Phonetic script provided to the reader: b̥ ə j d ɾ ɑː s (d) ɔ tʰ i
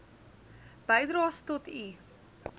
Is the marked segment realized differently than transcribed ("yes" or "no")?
yes